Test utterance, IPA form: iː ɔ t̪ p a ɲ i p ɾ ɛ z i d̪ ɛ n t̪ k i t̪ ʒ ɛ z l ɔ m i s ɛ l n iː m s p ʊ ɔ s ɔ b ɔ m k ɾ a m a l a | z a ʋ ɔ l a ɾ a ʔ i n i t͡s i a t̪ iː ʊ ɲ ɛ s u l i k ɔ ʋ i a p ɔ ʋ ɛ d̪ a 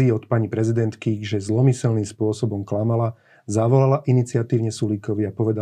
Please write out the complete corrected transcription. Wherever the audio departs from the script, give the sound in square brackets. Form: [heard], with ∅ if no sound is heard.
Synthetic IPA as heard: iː ɔ t̪ p a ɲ i p ɾ ɛ z i d̪ ɛ n t̪ k i [∅] ʒ ɛ z l ɔ m i s ɛ l n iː m s p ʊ ɔ s ɔ b ɔ m k [l] a m a l a | z a ʋ ɔ l a [l] a ʔ i n i t͡s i a t̪ iː ʊ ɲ ɛ s u l i k ɔ ʋ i a p ɔ ʋ ɛ d̪ a